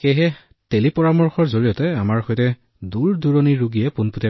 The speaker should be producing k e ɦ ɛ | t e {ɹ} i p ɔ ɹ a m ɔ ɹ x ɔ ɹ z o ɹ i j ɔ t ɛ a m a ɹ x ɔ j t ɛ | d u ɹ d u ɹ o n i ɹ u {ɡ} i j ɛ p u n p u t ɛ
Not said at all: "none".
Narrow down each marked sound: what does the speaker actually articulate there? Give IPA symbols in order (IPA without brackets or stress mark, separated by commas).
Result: l, ɡ